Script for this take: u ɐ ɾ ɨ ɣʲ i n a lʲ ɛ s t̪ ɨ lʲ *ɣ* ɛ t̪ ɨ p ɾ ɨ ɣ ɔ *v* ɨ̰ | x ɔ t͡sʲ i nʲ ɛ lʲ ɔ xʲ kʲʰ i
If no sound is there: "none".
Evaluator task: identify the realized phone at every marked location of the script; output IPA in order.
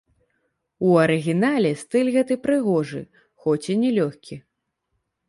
ɣ, ʐ

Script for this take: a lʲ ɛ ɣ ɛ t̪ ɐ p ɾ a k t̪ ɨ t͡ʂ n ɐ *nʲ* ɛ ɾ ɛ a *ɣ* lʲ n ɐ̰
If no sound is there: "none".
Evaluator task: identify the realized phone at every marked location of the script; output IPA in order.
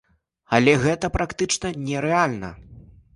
nʲ, none

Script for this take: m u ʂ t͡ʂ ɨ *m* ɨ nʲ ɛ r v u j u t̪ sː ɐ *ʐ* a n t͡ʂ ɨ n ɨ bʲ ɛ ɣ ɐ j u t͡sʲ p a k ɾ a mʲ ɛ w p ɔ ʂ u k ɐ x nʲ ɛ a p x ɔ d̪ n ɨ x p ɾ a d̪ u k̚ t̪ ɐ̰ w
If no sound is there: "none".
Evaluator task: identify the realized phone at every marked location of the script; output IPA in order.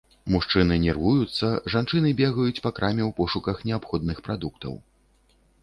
n, ʐ

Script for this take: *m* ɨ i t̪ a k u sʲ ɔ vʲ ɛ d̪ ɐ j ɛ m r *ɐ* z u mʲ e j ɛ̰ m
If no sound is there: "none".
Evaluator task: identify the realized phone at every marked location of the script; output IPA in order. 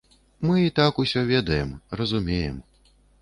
m, ɐ

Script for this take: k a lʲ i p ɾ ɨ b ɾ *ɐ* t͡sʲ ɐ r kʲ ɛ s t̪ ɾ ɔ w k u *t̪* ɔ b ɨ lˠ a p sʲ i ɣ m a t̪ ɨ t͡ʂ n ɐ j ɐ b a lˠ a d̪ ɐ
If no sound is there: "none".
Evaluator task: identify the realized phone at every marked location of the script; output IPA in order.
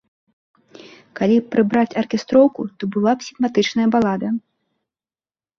a, t̪

